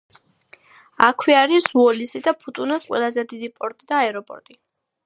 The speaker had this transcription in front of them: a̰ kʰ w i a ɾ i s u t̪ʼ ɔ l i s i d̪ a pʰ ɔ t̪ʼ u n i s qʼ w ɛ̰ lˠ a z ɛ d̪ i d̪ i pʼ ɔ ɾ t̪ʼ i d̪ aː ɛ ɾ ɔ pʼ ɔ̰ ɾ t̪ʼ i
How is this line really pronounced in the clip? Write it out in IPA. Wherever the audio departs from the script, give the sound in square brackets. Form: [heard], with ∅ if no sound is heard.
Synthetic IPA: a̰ kʰ w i a ɾ i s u [∅] ɔ l i s i d̪ a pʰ [u] t̪ʼ u n [a] s qʼ w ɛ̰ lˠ a z ɛ d̪ i d̪ i pʼ ɔ ɾ t̪ʼ i d̪ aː ɛ ɾ ɔ pʼ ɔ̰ ɾ t̪ʼ i